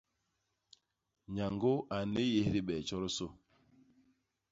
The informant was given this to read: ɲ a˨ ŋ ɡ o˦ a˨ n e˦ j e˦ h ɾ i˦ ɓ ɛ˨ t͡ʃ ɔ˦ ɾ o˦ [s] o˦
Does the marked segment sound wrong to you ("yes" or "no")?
no